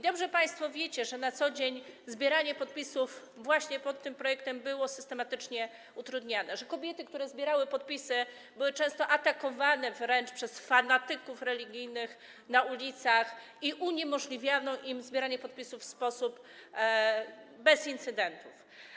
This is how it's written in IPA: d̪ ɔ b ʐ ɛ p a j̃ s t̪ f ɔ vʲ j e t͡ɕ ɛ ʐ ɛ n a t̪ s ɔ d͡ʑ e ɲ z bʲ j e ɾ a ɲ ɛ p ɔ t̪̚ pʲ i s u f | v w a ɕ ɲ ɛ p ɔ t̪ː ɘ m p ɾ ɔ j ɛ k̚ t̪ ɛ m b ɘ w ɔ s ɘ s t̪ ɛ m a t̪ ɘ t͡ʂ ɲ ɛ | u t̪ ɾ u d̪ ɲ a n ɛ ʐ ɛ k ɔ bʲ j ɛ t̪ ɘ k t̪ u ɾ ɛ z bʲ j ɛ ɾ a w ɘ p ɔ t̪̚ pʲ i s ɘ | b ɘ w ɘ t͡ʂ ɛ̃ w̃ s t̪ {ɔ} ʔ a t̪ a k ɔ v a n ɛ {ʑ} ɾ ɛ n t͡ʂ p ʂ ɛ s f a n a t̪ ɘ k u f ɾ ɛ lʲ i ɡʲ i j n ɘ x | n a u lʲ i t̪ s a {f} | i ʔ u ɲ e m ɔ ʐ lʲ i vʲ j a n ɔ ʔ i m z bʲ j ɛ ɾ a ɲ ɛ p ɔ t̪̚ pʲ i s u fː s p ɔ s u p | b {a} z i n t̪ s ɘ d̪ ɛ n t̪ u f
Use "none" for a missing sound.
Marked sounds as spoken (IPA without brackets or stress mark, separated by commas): ɔ, v, x, ɛ